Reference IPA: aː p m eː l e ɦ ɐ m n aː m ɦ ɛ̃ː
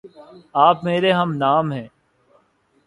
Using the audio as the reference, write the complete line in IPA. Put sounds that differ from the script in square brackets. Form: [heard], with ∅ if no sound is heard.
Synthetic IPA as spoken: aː p m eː [ɾ] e ɦ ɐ m n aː m ɦ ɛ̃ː